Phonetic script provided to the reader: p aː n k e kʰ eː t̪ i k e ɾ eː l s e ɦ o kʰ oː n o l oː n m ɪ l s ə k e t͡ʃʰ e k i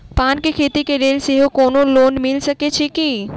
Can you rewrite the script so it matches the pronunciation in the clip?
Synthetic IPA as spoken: p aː n k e kʰ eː t̪ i k e ɾ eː l s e ɦ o k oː n o l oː n m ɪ l s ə k e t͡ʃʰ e k i